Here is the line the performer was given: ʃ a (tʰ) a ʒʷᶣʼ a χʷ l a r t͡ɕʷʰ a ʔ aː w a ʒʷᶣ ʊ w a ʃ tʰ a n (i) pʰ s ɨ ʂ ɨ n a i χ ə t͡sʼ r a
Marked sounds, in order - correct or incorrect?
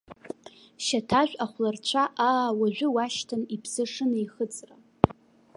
correct, correct

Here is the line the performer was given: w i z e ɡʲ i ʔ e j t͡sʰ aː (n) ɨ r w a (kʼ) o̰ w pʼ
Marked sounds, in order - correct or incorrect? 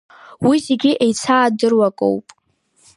incorrect: d, correct

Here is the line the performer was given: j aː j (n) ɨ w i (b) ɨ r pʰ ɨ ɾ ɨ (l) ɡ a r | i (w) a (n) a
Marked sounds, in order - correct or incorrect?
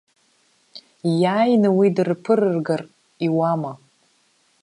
correct, incorrect: d, incorrect: r, correct, incorrect: m

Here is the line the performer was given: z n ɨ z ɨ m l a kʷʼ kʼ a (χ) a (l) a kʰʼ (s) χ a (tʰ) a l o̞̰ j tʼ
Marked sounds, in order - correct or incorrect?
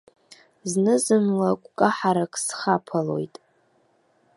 incorrect: ħ, incorrect: ɾ, correct, incorrect: pʰ

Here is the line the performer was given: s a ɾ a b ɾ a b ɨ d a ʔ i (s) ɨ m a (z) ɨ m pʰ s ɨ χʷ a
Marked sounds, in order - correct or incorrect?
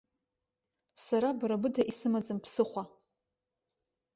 correct, incorrect: d͡z

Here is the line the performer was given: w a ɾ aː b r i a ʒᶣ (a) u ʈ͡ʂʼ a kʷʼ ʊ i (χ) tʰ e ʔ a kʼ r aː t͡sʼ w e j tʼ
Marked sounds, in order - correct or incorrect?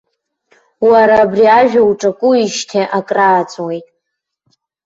correct, incorrect: ʃ

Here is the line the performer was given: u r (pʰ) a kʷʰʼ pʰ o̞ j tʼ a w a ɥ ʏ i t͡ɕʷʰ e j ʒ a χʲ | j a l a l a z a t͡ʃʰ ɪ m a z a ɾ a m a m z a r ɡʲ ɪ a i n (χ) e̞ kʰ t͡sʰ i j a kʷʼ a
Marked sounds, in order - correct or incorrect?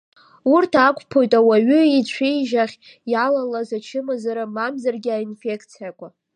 incorrect: tʰ, incorrect: f

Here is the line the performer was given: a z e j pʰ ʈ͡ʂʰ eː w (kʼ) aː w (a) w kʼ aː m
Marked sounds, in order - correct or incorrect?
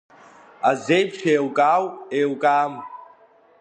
correct, incorrect: e

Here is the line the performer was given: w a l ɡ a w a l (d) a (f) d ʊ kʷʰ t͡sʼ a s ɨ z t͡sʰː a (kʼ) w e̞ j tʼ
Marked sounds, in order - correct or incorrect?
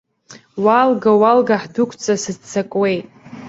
incorrect: ɡ, incorrect: ħ, correct

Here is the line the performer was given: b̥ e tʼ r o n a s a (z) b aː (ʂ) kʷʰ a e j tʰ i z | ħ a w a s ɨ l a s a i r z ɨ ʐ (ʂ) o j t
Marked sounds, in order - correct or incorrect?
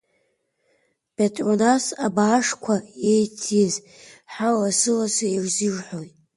incorrect: none, correct, incorrect: ħ

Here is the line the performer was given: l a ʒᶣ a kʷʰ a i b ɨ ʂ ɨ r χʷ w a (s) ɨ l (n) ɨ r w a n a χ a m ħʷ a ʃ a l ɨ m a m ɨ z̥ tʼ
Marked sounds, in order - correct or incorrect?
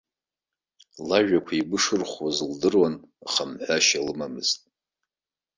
incorrect: z, incorrect: d

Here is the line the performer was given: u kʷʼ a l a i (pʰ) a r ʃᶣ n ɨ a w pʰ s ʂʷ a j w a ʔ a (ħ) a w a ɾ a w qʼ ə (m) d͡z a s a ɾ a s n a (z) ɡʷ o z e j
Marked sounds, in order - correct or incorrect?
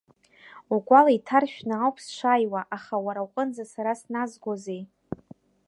incorrect: tʰ, incorrect: χ, incorrect: n, correct

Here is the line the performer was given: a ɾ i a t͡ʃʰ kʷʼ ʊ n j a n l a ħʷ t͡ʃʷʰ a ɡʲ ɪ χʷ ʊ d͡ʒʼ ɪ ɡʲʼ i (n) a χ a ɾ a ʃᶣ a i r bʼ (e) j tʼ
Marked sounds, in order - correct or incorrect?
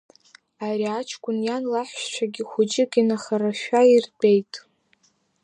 correct, correct

